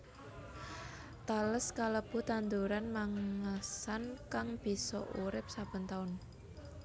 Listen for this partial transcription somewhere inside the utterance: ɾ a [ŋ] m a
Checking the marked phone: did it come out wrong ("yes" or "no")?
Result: yes